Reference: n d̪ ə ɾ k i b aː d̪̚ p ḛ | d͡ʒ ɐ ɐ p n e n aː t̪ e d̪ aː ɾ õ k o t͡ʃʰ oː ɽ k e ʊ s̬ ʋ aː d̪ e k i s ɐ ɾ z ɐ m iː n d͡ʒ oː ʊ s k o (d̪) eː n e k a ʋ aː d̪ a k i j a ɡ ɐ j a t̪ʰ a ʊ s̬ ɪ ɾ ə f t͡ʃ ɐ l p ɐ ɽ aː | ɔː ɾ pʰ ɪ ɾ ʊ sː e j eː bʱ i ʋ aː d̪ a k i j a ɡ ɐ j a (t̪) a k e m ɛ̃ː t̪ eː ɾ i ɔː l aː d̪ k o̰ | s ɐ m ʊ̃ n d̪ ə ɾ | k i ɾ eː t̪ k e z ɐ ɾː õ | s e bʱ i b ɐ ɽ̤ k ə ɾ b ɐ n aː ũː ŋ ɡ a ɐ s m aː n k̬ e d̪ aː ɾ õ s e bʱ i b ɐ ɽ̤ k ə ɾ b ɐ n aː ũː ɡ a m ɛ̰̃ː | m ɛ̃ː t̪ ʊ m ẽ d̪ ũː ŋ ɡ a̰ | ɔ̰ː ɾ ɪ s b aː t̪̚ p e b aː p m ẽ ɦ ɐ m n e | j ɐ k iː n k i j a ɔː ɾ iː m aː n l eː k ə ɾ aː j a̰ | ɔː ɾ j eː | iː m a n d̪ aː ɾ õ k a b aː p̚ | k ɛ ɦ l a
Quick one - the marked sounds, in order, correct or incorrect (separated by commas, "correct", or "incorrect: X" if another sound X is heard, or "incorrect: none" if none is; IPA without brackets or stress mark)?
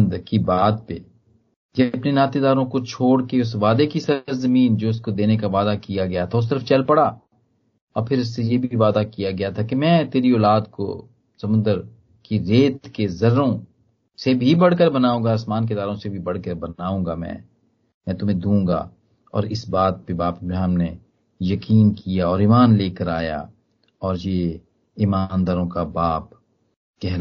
correct, incorrect: t̪ʰ